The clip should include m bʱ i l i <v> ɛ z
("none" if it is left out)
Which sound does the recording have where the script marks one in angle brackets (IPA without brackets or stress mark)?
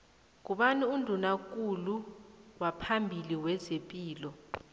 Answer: w